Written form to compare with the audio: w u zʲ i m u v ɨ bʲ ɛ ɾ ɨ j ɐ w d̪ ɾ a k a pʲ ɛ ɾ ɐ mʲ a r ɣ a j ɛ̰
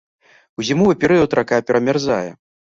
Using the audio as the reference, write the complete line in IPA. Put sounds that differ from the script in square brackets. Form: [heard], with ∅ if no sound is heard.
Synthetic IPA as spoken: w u zʲ i m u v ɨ [pʲ] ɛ ɾ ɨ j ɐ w [t̪] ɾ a k a pʲ ɛ ɾ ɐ mʲ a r [z] a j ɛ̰